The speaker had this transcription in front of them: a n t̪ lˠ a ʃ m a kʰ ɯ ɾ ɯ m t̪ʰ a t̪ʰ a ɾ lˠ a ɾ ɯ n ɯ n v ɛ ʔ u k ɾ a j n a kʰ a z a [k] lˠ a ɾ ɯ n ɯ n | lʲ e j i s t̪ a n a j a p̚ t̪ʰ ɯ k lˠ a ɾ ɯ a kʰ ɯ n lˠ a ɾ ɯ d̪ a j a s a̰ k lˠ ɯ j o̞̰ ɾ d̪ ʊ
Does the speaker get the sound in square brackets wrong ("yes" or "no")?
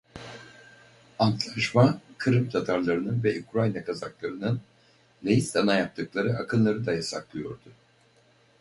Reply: no